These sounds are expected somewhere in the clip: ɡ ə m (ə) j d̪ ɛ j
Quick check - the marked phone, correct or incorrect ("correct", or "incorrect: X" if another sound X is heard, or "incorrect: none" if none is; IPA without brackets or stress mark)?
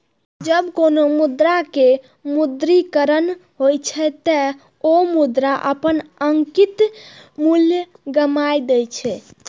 incorrect: a